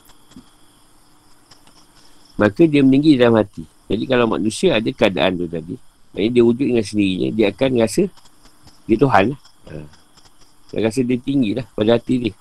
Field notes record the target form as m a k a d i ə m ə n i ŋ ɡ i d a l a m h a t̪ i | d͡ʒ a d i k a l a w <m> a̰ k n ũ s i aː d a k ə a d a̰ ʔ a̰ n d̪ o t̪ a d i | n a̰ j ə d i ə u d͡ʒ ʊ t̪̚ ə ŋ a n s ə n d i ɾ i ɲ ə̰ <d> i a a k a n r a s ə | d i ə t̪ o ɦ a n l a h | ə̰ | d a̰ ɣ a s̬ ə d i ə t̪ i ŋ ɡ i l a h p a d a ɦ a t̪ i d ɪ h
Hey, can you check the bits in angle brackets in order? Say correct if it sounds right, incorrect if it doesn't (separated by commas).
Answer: correct, correct